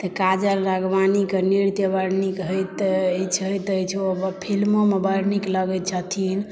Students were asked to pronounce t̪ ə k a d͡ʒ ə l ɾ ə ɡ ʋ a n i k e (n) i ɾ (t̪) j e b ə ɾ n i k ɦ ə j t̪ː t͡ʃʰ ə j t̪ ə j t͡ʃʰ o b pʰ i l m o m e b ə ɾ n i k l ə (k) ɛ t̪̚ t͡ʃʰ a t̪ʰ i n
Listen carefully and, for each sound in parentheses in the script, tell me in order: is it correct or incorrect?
correct, correct, incorrect: ɡ

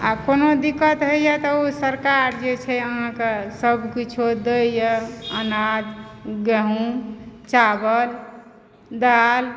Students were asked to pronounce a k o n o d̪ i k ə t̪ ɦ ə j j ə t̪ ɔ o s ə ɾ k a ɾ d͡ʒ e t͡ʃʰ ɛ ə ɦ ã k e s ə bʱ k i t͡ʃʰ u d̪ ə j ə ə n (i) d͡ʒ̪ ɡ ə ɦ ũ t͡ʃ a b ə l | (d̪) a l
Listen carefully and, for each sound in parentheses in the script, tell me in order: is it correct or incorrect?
incorrect: a, correct

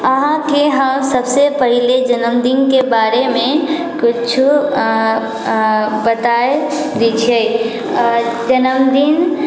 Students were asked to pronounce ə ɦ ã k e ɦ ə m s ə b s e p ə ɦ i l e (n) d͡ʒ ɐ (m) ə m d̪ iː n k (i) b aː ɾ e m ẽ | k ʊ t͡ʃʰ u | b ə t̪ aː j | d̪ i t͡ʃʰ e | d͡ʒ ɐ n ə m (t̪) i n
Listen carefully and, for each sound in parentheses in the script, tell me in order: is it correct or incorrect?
incorrect: none, incorrect: n, incorrect: e, incorrect: d̪

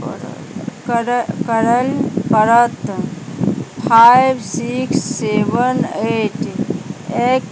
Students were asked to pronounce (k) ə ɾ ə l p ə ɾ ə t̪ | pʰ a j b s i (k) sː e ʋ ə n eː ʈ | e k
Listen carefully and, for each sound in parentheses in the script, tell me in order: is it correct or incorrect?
correct, correct

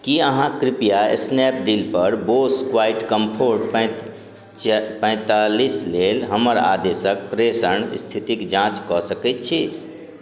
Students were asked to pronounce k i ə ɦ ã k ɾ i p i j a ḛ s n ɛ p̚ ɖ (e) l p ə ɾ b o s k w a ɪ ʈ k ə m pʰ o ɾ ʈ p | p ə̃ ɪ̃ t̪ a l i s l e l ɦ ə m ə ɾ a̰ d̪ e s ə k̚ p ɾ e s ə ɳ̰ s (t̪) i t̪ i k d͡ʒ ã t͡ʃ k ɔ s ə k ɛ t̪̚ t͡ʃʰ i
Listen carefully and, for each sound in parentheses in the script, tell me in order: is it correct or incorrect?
incorrect: i, incorrect: t̪ʰ

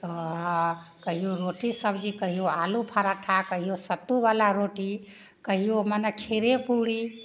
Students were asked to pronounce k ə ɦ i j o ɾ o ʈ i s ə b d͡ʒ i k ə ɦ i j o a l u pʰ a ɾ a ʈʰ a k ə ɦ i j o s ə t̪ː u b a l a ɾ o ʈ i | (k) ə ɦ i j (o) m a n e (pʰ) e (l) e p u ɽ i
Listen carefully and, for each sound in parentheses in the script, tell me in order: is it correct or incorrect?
correct, correct, incorrect: kʰ, incorrect: ɾ

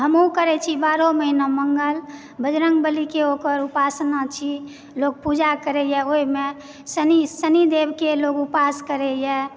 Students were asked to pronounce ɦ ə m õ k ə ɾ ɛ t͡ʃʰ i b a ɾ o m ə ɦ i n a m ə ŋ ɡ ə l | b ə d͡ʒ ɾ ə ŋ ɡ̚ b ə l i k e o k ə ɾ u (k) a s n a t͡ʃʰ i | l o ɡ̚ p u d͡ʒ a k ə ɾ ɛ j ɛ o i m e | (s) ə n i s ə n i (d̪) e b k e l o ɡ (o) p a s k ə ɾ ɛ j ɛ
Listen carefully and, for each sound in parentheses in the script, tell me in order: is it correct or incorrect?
incorrect: p, correct, correct, incorrect: u

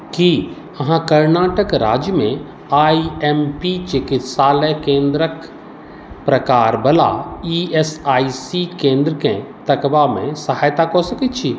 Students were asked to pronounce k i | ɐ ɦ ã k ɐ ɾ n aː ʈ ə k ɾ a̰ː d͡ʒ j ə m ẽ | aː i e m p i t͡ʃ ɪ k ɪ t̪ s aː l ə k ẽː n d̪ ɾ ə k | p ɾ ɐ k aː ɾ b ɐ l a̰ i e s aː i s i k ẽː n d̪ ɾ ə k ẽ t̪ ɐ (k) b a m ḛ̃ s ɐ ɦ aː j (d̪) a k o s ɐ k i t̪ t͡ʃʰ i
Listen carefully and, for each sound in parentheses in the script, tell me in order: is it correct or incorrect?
correct, incorrect: t̪

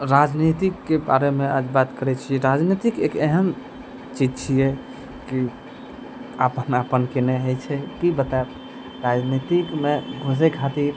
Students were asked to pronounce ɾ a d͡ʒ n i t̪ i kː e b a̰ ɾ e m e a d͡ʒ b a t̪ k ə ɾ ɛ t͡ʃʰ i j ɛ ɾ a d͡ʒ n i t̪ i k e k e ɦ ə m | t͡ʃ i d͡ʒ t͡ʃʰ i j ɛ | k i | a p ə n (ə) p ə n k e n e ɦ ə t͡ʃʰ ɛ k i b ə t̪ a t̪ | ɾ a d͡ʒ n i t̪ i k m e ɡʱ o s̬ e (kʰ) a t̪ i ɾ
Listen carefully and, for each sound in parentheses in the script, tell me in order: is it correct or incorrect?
incorrect: a, correct

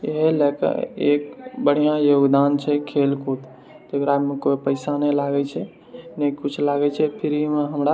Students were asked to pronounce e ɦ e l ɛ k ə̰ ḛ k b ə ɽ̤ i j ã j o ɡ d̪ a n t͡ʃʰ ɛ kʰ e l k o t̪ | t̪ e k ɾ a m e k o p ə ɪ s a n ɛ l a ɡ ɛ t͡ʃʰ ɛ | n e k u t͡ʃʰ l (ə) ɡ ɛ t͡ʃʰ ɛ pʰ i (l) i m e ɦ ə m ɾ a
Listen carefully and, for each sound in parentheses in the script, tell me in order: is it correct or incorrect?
incorrect: a, incorrect: ɾ

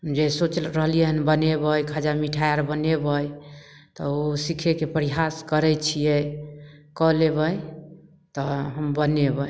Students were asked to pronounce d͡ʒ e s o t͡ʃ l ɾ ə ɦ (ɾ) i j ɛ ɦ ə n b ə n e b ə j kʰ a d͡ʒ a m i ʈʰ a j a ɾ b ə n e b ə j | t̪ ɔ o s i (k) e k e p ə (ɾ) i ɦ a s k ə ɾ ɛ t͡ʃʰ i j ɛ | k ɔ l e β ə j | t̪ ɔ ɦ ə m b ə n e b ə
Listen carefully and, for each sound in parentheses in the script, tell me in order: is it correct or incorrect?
incorrect: l, incorrect: kʰ, correct

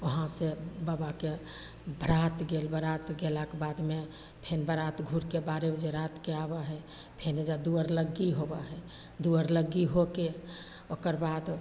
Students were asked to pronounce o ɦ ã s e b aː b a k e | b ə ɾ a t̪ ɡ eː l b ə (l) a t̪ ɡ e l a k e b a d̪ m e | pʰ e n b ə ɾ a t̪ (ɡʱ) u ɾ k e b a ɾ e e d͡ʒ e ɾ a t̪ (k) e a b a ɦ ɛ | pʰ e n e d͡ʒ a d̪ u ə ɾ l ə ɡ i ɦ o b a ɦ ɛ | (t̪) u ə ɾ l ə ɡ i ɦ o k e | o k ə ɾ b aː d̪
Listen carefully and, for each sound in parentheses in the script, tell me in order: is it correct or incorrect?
incorrect: ɾ, correct, correct, incorrect: d̪

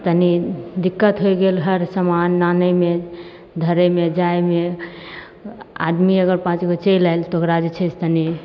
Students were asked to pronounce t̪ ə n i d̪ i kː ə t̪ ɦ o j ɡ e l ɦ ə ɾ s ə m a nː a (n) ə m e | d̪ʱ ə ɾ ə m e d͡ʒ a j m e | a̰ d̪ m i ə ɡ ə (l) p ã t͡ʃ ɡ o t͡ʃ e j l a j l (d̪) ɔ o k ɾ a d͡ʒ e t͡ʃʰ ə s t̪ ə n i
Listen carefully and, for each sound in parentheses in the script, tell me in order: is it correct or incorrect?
correct, incorrect: ɾ, incorrect: t̪

